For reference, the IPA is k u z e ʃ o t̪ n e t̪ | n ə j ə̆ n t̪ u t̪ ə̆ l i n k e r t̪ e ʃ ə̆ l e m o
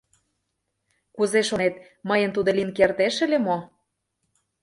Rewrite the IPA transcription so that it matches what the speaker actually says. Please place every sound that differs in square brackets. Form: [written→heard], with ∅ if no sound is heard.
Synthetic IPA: k u z e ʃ o [t̪→∅] n e t̪ | [n→m] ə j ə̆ n t̪ u [t̪→d̪] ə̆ l i n k e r t̪ e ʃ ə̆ l e m o

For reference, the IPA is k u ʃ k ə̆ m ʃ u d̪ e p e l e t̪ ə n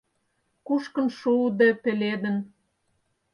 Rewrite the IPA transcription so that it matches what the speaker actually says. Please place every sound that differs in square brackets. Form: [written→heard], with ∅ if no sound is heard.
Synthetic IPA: k u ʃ k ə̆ [m→n] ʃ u d̪ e p e l e [t̪→d̪] ə n

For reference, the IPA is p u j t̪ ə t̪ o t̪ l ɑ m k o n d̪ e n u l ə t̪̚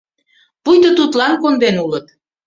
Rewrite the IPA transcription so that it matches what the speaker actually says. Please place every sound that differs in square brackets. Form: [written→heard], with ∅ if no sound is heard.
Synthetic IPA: p u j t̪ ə t̪ [o→u] t̪ l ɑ [m→n] k o n d̪ e n u l ə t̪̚

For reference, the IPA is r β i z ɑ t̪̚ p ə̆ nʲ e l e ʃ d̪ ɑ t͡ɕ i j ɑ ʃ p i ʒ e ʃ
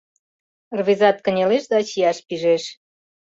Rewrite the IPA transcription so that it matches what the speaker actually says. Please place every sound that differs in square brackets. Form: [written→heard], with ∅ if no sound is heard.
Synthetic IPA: r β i z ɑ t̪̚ [p→k] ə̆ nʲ e l e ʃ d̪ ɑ t͡ɕ i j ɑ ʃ p i ʒ e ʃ

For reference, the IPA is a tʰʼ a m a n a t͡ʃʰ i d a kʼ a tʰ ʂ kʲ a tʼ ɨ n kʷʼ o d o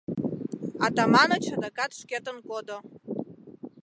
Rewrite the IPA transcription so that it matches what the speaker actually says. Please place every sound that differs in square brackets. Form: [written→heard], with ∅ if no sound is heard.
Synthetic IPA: a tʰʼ a m a n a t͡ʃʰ [i→a] d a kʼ a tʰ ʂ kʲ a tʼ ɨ n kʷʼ o d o

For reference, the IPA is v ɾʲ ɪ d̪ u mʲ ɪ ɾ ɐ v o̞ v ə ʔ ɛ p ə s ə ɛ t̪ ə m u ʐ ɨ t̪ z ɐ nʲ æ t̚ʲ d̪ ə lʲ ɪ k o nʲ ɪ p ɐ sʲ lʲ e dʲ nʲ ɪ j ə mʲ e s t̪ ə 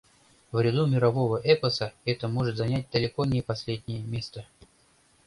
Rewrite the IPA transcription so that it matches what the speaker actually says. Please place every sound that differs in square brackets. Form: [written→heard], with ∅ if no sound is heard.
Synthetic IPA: v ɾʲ ɪ d̪ u mʲ ɪ ɾ ɐ v o̞ v ə ʔ ɛ p ə s ə ɛ t̪ ə m [u→o] ʐ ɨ t̪ z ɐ nʲ æ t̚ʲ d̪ ə lʲ ɪ k o nʲ ɪ p ɐ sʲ lʲ e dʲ nʲ ɪ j ə mʲ e s t̪ ə

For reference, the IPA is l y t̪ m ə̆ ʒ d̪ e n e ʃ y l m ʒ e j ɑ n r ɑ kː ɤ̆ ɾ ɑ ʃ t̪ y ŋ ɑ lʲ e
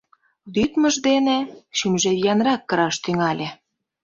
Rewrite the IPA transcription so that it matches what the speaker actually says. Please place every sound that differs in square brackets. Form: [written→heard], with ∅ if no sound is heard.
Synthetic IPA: l y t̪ m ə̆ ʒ d̪ e n e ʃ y [l→∅] m ʒ e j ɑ n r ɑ kː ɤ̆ ɾ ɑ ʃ t̪ y ŋ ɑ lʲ e

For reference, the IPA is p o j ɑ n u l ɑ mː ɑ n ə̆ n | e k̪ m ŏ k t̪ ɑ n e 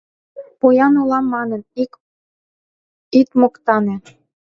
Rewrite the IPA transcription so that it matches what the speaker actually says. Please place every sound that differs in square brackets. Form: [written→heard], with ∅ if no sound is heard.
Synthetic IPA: p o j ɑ n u l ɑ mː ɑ n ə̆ n | [e→i] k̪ m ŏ k t̪ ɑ n e

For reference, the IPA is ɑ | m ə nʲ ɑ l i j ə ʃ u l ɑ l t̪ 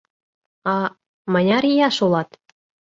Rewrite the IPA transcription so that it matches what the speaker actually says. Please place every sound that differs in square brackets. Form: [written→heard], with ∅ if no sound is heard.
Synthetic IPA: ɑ | m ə nʲ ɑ [l→ɾ] i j [ə→ɑ] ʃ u l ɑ [l→∅] t̪

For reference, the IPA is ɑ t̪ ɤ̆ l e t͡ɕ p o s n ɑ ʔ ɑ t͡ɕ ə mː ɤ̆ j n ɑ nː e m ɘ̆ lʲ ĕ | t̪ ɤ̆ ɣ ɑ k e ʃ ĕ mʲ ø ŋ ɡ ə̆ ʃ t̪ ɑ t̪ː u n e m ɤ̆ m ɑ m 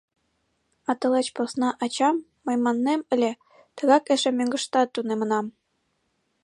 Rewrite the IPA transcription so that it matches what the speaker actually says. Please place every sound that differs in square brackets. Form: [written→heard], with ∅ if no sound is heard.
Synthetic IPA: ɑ t̪ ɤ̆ l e t͡ɕ p o s n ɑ ʔ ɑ t͡ɕ [ə→ɑ] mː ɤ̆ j [n→m] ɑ nː e m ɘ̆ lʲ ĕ | t̪ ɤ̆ ɣ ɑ k e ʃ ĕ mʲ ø ŋ ɡ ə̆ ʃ t̪ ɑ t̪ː u n e m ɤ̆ [m→n] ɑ m

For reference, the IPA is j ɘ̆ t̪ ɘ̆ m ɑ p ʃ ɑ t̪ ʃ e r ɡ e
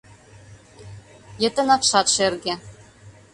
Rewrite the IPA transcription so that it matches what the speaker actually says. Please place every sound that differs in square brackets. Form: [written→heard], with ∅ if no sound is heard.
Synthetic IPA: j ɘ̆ t̪ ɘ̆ [m→n] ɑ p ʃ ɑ t̪ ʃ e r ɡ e

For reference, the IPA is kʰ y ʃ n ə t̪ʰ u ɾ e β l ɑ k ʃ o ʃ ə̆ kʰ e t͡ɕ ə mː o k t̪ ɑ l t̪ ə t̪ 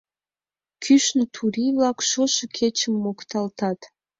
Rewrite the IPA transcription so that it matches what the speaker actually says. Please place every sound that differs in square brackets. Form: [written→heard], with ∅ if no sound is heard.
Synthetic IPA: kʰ y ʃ n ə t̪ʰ u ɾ [e→i] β l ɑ k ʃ o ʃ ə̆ kʰ e t͡ɕ ə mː o k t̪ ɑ l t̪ [ə→ɑ] t̪

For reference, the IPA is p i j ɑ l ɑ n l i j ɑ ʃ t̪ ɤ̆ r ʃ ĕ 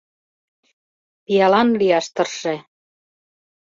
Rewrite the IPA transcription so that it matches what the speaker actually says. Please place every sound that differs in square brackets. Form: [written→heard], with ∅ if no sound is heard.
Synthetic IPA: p i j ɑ l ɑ n l i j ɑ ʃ t̪ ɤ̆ r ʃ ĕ

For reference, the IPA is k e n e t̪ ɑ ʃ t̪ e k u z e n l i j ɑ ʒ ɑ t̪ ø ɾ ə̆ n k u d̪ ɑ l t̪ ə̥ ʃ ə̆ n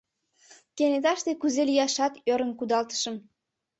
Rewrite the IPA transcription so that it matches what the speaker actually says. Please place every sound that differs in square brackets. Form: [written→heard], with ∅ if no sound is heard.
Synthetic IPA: k e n e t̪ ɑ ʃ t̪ e k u z e [n→∅] l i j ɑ [ʒ→ʃ] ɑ t̪ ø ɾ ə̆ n k u d̪ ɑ l t̪ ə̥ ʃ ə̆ [n→m]

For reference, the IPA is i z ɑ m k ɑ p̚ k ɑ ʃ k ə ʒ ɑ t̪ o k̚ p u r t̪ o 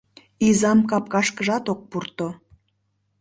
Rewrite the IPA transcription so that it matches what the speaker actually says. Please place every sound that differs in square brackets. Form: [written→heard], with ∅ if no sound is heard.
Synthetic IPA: i z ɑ m k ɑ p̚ k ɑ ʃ k ə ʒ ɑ t̪ o k̚ p u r t̪ o

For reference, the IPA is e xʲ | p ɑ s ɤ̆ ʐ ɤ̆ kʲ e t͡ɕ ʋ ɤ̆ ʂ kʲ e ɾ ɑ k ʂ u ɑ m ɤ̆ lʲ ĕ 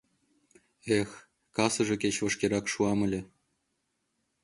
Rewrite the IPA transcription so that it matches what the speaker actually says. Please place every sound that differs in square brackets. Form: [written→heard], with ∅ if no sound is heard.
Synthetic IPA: e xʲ | [p→k] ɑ s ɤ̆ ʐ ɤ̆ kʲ e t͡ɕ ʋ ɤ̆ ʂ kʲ e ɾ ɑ k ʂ u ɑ m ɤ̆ lʲ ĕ

